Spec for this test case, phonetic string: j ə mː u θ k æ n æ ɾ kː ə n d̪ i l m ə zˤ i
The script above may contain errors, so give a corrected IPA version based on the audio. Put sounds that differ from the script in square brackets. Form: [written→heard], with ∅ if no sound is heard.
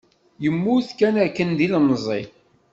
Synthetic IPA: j ə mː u θ k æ n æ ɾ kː ə n d̪ i l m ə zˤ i